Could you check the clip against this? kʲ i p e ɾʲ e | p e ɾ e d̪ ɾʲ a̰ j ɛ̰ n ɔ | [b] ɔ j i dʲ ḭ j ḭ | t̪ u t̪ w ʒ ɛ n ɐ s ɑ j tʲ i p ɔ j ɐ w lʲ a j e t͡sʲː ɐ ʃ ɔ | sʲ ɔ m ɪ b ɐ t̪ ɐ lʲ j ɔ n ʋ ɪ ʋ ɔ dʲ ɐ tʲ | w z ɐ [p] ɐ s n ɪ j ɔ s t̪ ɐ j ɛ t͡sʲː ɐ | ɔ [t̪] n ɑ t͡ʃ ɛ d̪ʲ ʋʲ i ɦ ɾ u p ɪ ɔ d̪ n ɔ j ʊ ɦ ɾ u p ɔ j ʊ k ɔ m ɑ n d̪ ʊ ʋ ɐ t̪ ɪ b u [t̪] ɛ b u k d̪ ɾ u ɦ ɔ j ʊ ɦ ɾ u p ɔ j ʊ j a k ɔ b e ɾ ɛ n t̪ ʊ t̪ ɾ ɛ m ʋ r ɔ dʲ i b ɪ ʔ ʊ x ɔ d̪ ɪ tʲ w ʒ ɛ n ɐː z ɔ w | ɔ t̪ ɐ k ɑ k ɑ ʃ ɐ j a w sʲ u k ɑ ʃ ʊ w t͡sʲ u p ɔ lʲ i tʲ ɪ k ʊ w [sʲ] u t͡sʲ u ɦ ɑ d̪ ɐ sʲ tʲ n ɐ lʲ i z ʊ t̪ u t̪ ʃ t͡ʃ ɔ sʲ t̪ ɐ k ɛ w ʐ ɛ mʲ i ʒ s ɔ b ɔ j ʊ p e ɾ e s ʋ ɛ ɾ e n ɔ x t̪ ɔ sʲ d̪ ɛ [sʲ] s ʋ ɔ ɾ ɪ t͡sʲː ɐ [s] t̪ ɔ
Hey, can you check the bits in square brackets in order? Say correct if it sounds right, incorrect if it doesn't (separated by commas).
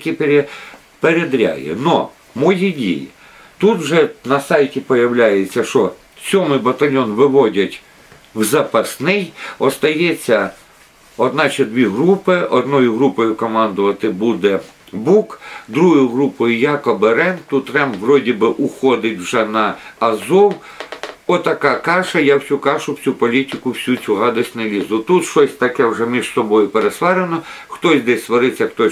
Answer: incorrect, correct, incorrect, incorrect, correct, correct, incorrect